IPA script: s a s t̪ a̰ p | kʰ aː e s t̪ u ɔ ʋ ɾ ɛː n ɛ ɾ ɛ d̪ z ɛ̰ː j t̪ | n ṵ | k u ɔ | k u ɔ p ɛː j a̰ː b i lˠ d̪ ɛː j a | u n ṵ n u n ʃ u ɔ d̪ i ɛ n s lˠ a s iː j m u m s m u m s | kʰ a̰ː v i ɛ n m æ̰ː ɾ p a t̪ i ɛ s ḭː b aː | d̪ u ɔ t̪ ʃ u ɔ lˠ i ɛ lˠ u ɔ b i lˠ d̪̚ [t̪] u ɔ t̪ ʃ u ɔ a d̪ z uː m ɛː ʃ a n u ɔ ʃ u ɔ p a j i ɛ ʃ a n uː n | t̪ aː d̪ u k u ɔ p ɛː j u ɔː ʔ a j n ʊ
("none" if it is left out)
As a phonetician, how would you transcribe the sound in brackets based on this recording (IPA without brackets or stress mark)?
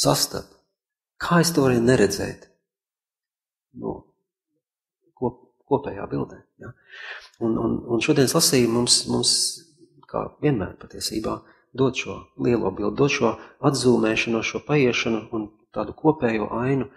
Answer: d̪